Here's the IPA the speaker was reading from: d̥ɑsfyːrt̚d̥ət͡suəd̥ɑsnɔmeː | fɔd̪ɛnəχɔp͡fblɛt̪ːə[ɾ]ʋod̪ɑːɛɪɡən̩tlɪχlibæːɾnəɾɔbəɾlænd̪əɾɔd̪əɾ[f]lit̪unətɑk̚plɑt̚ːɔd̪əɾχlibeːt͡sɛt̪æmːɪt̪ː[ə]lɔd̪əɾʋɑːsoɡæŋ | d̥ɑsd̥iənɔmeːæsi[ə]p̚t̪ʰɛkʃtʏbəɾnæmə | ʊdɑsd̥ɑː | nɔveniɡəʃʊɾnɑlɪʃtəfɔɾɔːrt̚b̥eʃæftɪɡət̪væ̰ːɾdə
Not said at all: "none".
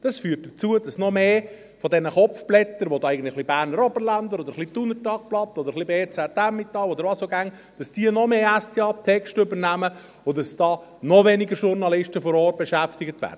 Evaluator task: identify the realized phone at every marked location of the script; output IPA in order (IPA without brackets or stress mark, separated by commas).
ɾ, χ, ɑ, ɑ